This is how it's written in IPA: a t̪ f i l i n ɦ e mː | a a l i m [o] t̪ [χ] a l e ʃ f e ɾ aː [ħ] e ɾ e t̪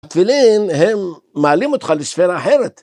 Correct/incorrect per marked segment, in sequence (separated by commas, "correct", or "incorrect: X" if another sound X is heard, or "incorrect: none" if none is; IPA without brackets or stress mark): correct, correct, correct